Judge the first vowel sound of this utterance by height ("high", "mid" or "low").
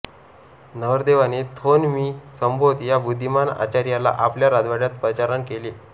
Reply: mid